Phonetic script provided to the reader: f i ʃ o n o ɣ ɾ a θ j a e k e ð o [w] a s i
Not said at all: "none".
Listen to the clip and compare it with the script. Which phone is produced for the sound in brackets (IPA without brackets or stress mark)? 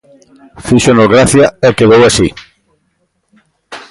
w